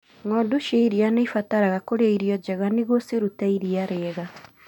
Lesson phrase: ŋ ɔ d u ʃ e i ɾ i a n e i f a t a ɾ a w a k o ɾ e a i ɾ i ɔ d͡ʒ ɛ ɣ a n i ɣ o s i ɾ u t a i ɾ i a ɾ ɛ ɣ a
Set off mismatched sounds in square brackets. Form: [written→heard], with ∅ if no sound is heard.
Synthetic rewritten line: ŋ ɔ d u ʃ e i ɾ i a n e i f a t a ɾ a [w→ɣ] a k o ɾ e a i ɾ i ɔ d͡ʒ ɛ ɣ a n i ɣ o s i ɾ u t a i ɾ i a ɾ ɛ ɣ a

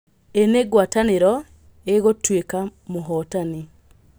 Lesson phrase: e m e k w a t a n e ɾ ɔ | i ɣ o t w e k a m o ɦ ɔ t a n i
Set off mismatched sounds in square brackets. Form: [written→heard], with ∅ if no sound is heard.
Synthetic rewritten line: e [m→n] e [k→ɡ] w a t a n e ɾ ɔ | [i→e] ɣ o t w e k a m o ɦ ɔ t a n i

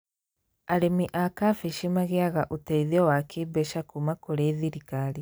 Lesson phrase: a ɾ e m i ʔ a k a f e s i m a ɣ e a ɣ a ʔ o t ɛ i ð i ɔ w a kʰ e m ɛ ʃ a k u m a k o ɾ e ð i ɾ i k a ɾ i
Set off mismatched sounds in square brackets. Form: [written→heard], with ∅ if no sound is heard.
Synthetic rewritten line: a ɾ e m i ʔ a k a f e [s→ʃ] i m a ɣ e a ɣ a ʔ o t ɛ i ð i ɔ w a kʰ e [m→b] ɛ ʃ a k u m a k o ɾ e ð i ɾ i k a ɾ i

